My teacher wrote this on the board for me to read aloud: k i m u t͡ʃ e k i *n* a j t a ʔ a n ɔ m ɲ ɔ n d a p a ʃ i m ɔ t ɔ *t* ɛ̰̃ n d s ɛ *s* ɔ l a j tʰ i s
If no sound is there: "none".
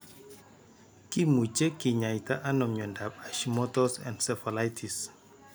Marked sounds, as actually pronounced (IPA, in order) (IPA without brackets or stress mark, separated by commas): ɲ, s, f